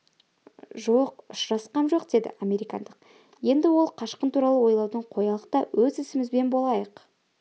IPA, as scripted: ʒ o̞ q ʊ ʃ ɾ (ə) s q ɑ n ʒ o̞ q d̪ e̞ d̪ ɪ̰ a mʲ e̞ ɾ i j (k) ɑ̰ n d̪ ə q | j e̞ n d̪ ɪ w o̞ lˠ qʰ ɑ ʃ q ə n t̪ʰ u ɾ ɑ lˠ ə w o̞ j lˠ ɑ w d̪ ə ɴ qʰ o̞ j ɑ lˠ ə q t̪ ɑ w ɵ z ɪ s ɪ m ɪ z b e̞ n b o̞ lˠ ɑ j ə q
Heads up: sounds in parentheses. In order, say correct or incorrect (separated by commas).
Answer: incorrect, correct